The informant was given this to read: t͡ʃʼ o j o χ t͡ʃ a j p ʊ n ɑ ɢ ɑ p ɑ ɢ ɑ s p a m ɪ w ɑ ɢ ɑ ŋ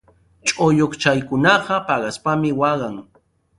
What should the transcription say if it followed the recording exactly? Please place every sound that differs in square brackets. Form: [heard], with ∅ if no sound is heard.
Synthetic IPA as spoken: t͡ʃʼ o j o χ t͡ʃ a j [k] ʊ n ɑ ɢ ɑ p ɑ ɢ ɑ s p a m ɪ w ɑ ɢ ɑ ŋ